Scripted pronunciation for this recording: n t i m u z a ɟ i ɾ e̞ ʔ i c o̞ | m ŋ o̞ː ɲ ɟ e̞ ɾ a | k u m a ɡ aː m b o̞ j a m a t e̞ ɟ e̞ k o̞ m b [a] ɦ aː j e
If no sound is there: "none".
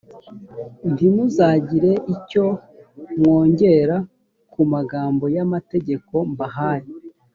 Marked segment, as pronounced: a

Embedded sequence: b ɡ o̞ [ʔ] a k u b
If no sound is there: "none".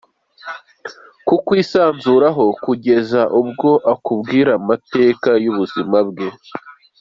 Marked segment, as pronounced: ʔ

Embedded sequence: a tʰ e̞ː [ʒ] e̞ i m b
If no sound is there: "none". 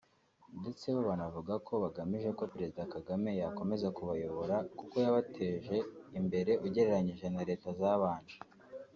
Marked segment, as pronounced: ʒ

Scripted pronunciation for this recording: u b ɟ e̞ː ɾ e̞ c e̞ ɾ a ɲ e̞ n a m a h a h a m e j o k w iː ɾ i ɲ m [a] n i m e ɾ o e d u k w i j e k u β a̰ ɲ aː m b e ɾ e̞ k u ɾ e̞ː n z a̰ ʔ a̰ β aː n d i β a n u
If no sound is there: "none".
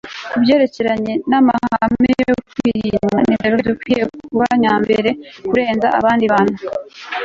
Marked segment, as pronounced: a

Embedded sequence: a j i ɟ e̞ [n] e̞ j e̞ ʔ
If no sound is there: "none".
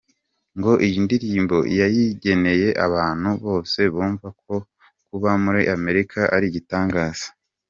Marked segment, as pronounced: n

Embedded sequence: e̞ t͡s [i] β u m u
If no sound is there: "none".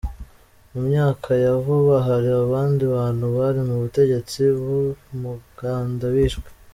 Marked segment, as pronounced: i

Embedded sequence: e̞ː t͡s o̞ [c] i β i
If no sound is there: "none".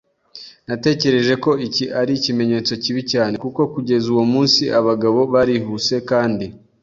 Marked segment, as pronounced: c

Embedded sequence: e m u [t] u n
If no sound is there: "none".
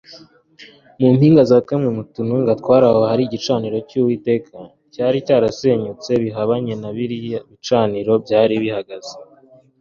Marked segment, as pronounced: t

